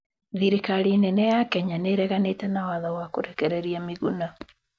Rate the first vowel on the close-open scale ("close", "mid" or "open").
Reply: close